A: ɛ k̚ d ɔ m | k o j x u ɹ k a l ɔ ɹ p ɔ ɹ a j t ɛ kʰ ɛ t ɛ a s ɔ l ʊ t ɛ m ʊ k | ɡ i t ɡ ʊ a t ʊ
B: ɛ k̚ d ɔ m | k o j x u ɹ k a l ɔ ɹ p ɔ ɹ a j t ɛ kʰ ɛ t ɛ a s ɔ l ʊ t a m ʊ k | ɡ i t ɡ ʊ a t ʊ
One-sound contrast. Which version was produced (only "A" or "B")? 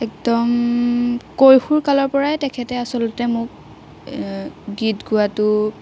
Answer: A